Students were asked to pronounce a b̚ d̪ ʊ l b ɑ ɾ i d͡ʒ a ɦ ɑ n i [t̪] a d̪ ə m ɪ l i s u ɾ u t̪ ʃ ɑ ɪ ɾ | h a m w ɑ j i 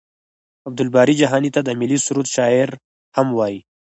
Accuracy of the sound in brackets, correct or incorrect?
correct